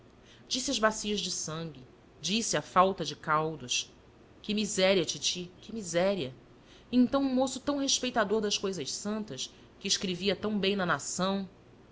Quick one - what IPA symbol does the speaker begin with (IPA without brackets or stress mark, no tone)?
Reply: d͡ʒ